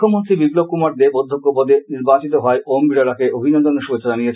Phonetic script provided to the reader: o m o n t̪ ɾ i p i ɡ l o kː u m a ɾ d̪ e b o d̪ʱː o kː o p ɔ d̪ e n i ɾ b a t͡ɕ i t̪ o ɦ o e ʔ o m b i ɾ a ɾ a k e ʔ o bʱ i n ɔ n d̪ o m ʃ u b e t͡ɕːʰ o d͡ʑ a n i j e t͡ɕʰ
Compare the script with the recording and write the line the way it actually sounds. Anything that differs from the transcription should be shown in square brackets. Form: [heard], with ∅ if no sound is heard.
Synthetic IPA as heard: o m o n t̪ ɾ i [b] i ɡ l o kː u m a ɾ d̪ e b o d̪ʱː o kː o p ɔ d̪ e n i ɾ b a t͡ɕ i t̪ o ɦ [ɔ] e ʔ o m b i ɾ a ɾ a k e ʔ o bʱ i n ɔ n d̪ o [n] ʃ u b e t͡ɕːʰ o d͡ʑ a n i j e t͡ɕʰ